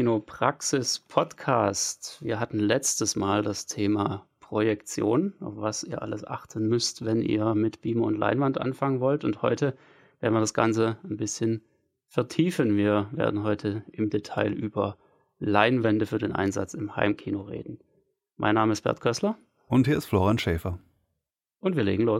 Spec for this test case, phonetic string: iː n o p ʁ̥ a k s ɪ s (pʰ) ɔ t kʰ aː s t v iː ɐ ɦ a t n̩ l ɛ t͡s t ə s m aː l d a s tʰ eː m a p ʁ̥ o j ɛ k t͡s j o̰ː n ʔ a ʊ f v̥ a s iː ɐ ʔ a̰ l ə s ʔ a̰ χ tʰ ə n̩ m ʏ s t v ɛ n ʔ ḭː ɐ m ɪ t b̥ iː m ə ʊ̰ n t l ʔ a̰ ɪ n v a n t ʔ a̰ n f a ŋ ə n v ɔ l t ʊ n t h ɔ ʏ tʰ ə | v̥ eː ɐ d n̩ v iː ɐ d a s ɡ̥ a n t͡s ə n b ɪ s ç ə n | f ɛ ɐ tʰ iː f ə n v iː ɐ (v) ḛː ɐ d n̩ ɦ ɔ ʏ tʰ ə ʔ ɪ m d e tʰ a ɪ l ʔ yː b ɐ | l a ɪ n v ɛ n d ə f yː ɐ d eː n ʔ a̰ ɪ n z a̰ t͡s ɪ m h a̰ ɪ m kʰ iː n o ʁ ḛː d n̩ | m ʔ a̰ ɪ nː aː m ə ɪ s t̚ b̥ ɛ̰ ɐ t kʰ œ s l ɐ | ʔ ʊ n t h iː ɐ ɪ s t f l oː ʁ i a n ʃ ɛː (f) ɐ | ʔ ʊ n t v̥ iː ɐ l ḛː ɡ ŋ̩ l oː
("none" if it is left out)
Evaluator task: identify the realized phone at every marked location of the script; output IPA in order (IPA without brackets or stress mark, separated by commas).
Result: pʰ, v, f